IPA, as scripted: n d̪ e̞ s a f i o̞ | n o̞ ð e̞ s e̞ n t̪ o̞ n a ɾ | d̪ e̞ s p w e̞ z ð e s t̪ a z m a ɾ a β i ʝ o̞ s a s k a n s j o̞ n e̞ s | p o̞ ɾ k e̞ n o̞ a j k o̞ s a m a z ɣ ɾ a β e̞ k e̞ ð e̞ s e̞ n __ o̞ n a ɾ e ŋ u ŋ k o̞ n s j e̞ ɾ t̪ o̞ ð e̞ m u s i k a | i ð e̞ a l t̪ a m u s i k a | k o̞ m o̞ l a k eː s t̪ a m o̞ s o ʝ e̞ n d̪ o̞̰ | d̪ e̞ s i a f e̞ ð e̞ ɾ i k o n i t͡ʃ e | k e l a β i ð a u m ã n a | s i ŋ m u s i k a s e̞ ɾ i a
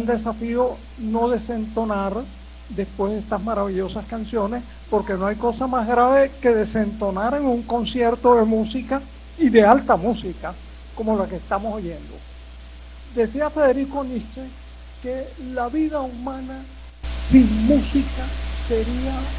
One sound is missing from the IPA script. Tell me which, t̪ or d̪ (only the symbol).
t̪